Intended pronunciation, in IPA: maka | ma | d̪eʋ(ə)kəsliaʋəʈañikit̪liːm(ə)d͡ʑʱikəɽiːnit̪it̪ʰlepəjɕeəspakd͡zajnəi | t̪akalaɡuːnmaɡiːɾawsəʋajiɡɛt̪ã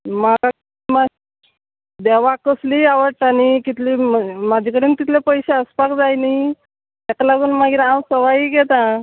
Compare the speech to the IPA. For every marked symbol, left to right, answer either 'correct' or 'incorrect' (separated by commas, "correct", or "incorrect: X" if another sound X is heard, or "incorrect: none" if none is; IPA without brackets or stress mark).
incorrect: a, incorrect: a